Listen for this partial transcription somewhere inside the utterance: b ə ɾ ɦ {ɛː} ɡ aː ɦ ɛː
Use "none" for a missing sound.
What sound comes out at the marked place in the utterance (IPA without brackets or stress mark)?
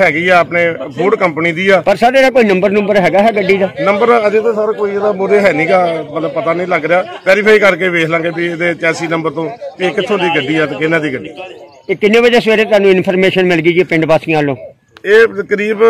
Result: ɛː